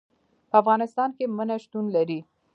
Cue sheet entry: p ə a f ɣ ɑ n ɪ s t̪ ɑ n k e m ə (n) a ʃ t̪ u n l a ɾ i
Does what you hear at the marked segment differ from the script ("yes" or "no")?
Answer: no